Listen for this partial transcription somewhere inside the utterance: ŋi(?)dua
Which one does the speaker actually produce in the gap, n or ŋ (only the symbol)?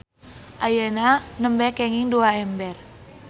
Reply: ŋ